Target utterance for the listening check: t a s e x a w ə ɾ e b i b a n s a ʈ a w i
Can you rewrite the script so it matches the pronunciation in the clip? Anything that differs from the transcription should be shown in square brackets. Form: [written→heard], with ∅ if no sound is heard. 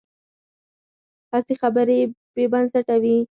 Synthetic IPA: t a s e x a [w→b] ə ɾ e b [i→e] b a n s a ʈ a w i